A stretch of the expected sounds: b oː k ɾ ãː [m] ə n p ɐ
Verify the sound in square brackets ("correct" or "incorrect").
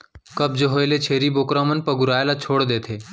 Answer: correct